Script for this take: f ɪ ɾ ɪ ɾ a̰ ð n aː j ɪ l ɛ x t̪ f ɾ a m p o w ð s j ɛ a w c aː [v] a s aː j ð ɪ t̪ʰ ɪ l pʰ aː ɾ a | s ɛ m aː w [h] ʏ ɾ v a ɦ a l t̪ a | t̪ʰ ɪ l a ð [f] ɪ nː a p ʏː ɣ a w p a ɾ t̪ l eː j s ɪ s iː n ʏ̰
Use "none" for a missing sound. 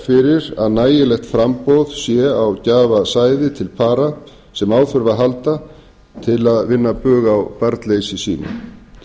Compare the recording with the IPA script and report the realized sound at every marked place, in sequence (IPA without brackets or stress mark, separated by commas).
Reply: v, θ, v